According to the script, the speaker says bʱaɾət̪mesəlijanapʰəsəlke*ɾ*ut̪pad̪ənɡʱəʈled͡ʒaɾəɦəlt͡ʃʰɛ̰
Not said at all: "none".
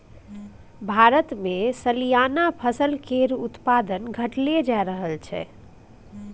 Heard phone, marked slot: ɾ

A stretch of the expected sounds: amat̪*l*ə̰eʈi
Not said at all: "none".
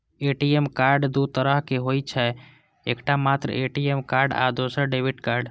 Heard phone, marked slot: ɾ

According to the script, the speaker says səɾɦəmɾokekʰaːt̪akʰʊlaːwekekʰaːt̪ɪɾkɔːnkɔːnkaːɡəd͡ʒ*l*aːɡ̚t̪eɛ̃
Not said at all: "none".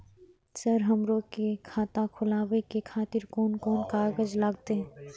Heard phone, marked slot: l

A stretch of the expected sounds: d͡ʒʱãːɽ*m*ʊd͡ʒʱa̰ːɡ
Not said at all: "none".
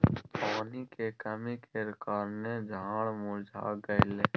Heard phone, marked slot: m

